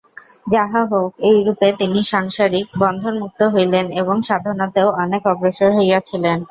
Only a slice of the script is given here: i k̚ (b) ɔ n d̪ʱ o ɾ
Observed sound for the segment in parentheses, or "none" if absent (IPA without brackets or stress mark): b